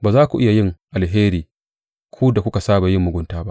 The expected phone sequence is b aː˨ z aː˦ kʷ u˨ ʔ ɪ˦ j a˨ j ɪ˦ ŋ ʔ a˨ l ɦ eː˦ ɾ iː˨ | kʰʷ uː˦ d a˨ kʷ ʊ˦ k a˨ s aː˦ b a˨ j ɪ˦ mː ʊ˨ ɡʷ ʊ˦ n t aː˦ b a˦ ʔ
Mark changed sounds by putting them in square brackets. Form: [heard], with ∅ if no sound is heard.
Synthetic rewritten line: b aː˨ z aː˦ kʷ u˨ ʔ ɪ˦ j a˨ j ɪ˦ ŋ ʔ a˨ l ɦ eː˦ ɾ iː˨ | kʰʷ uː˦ d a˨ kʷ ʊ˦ k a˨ s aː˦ b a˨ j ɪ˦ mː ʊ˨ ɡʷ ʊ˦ n t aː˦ b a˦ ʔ